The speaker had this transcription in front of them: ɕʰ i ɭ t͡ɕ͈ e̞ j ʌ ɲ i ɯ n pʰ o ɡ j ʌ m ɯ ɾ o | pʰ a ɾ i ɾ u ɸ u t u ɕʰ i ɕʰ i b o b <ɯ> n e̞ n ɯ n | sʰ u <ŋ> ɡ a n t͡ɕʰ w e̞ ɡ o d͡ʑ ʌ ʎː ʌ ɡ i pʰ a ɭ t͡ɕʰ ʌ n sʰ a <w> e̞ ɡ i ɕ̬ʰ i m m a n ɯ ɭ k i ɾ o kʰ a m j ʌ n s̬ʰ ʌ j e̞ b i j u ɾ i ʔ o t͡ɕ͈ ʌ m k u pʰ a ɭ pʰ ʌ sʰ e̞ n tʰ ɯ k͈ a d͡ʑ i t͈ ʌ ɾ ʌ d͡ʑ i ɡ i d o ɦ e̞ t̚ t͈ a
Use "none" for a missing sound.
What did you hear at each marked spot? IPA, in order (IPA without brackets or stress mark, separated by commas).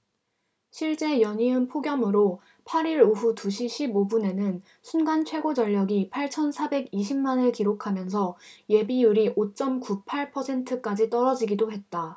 u, n, b